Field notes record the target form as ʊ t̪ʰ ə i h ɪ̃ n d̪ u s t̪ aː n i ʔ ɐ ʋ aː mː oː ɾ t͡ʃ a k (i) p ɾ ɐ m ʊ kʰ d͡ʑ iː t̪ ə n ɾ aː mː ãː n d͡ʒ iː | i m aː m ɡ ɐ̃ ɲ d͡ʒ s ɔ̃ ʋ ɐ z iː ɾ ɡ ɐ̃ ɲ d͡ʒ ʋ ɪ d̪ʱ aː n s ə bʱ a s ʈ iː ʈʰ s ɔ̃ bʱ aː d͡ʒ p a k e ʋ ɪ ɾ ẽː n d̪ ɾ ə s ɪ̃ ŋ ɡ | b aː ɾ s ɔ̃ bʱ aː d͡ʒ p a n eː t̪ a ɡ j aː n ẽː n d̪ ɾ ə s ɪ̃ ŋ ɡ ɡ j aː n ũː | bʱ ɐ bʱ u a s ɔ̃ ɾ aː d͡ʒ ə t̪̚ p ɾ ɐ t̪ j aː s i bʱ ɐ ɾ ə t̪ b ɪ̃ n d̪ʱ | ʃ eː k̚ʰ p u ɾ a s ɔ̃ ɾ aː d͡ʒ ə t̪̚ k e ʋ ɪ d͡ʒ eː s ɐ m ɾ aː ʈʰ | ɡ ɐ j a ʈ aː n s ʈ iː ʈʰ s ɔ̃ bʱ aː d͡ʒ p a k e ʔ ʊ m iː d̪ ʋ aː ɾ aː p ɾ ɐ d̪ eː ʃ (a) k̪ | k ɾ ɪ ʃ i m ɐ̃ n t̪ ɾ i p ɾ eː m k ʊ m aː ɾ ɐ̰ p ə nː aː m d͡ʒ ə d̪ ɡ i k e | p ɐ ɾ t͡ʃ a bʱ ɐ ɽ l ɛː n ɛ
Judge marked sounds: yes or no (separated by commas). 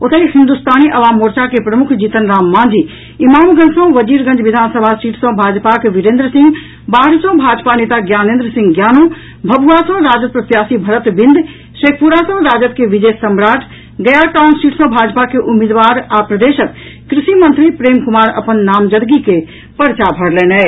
no, no